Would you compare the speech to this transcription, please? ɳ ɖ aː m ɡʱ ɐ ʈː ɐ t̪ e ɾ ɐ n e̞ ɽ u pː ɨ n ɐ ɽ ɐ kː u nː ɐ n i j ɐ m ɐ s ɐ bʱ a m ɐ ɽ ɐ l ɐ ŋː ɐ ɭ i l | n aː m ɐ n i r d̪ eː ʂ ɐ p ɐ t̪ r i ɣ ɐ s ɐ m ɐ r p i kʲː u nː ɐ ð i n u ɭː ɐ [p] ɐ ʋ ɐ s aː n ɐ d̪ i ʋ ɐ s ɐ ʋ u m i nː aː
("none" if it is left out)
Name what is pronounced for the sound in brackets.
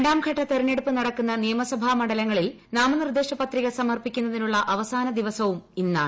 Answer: ʔ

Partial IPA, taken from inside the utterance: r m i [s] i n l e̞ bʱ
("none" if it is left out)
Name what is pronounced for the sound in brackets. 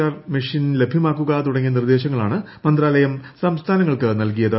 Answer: ʂ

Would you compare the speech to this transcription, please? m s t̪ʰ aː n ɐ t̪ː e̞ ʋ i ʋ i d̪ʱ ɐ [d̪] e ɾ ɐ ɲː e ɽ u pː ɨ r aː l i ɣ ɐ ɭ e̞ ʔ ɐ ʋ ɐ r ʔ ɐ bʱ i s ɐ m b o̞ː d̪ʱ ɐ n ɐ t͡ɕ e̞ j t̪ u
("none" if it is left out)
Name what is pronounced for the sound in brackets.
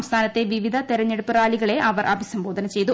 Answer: t̪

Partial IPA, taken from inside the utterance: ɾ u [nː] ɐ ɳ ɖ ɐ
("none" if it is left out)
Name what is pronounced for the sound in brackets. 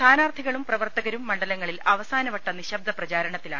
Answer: mː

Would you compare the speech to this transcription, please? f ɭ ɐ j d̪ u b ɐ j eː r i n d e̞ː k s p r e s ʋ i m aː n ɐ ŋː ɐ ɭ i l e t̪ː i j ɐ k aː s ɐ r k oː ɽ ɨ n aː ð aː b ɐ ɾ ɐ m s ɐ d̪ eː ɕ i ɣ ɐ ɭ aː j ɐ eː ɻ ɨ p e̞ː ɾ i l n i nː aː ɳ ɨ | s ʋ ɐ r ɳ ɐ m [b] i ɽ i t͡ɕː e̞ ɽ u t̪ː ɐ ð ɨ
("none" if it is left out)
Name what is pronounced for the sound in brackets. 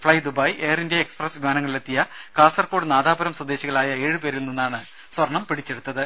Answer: p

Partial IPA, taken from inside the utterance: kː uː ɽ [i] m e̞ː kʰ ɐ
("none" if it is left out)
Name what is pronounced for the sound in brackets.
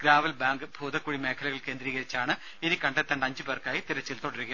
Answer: i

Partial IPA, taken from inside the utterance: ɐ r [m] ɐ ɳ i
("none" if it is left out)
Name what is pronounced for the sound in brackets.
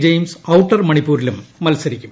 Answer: m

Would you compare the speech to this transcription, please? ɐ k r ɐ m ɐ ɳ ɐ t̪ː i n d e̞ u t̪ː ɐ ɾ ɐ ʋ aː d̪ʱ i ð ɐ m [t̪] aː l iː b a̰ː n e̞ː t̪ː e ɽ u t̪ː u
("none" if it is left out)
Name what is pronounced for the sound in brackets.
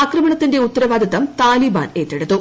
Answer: t̪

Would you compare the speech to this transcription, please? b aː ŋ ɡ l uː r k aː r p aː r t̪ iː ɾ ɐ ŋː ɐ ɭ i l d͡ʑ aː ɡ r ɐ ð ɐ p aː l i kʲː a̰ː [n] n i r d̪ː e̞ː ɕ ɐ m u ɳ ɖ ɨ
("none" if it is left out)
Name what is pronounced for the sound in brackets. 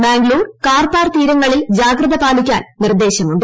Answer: n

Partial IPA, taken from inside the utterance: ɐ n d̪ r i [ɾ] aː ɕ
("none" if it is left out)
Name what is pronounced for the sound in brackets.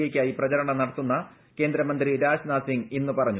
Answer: ɾ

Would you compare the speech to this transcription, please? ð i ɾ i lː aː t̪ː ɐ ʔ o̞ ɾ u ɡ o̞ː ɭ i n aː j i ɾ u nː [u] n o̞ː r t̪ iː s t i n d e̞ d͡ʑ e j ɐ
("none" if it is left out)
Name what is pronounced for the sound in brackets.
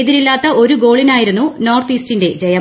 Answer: u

